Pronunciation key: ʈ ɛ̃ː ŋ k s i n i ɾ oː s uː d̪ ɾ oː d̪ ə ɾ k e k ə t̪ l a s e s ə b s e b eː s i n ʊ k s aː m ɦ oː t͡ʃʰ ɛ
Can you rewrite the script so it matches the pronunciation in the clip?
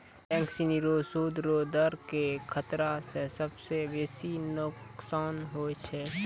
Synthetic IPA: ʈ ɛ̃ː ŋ k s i n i ɾ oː s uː d̪ ɾ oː d̪ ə ɾ k e kʰ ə t̪ ɾ a s e s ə b s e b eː s i n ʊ k s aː n ɦ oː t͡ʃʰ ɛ